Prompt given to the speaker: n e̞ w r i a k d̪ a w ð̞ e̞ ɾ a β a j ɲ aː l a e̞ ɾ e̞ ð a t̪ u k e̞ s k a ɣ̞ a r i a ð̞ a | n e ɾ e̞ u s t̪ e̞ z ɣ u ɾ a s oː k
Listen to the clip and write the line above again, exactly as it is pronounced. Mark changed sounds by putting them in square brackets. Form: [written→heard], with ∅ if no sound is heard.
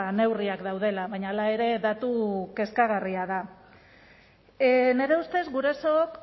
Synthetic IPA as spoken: n e̞ w r i a k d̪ a w ð̞ e̞ [ɾ→l] a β a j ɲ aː l a e̞ ɾ e̞ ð a t̪ u k e̞ s k a ɣ̞ a r i a ð̞ a | n e ɾ e̞ u s t̪ e̞ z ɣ u ɾ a s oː k